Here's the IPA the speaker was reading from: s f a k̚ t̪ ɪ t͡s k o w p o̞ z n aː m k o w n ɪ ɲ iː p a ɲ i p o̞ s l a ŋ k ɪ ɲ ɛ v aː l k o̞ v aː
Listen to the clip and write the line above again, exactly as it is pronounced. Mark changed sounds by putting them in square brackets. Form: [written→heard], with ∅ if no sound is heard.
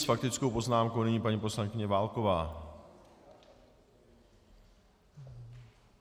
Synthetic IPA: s f a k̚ t̪ ɪ t͡s k o w p o̞ z n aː m k o w n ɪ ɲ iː p a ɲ i p o̞ s l a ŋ k ɪ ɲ ɛ v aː l k o̞ v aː